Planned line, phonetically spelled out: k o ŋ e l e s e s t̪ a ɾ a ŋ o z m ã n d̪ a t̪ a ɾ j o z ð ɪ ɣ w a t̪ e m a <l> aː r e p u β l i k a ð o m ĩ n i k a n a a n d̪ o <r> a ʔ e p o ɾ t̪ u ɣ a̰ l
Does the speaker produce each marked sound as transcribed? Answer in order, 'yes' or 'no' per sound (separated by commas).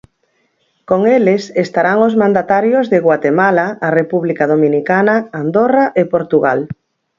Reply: yes, yes